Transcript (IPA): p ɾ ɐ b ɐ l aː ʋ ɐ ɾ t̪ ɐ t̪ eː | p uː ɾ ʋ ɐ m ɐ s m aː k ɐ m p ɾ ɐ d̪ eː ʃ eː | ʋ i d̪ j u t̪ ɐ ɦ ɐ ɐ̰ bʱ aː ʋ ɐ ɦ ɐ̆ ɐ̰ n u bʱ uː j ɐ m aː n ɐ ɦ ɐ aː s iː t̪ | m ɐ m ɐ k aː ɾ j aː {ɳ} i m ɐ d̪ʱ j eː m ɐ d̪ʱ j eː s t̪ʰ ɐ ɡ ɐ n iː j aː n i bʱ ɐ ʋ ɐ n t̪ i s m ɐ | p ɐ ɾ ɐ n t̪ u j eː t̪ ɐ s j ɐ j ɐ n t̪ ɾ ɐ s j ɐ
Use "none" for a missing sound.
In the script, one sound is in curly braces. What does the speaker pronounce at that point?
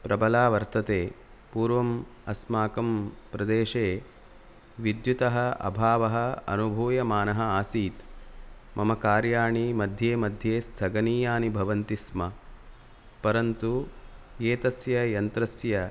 ɳ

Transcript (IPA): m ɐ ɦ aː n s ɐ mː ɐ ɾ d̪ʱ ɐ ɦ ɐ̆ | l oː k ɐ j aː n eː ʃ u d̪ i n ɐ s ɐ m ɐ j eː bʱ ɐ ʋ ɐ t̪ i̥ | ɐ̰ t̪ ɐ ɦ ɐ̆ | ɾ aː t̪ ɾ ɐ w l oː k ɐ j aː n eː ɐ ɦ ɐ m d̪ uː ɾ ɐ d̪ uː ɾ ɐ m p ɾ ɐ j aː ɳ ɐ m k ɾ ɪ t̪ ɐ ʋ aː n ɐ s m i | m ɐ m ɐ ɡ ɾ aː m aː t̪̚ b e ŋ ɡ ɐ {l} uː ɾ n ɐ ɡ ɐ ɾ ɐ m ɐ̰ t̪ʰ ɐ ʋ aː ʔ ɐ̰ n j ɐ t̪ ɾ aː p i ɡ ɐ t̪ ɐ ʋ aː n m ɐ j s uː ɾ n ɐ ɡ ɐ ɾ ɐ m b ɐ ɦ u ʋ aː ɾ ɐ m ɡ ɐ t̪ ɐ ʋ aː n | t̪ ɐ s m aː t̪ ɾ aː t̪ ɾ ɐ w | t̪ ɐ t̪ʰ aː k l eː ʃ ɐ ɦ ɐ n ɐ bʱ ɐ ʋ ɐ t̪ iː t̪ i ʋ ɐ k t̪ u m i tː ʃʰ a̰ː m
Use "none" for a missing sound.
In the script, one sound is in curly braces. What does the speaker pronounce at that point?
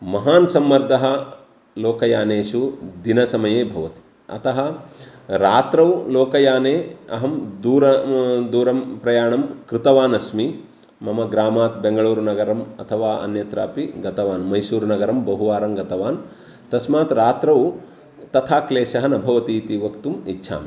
ɭ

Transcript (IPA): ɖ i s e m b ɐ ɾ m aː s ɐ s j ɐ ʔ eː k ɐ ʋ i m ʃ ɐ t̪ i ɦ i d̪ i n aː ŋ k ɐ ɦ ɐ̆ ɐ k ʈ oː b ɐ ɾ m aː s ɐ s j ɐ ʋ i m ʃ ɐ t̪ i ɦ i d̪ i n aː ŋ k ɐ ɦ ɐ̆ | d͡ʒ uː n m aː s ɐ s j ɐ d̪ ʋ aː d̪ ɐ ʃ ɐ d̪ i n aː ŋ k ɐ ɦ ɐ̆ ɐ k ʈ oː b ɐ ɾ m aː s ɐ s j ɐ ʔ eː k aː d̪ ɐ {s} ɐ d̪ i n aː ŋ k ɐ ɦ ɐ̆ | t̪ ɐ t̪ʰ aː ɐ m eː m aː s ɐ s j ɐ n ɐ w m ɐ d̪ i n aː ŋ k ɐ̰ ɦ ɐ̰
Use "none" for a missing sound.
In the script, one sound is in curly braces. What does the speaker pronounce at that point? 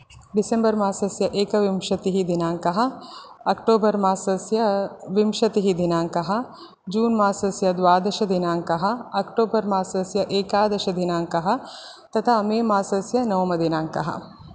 ʃ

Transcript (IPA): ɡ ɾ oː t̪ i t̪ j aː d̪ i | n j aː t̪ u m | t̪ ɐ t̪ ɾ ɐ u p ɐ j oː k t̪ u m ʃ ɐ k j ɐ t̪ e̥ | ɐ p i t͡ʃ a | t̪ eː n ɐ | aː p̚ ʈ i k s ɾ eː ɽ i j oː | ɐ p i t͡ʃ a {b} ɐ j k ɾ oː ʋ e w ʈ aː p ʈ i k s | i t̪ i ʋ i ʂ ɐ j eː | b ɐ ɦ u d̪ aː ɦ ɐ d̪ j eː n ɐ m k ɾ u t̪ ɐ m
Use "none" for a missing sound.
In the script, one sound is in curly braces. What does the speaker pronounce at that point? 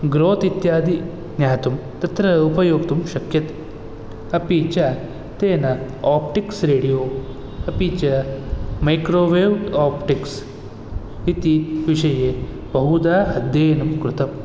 m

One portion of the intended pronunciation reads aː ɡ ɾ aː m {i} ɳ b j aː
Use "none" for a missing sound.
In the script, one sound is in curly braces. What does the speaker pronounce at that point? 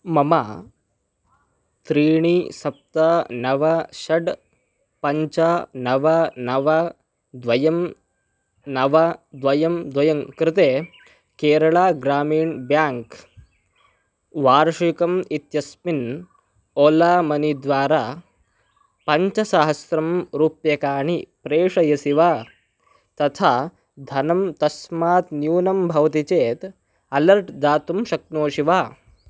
iː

